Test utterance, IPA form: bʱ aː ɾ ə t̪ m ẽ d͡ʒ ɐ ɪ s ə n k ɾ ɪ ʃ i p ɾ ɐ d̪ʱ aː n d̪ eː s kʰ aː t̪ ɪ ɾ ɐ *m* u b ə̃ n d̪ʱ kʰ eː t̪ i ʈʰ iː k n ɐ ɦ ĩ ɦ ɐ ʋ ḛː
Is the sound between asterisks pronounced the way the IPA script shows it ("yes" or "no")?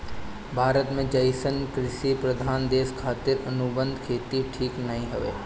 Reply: no